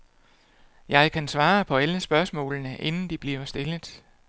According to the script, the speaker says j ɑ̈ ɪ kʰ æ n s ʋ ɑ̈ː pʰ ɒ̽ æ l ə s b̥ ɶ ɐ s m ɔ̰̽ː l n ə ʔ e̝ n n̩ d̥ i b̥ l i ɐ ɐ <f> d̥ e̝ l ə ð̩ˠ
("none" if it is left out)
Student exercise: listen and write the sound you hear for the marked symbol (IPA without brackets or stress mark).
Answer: s